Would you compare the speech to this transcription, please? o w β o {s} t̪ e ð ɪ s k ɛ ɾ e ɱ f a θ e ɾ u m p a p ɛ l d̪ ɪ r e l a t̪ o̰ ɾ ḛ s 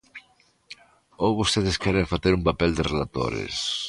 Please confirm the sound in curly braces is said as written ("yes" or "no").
yes